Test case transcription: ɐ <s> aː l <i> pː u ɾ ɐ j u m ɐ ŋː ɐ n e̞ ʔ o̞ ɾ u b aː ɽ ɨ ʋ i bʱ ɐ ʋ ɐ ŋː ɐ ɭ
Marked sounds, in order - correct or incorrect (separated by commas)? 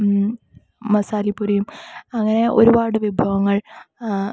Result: correct, correct